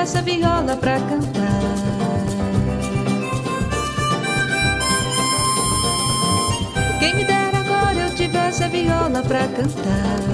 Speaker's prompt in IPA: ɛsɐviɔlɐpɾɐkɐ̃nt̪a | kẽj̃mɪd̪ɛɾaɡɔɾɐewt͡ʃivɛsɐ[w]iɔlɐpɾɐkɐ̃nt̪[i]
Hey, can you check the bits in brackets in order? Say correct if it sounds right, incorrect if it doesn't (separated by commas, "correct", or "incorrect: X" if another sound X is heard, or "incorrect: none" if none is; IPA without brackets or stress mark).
incorrect: v, incorrect: a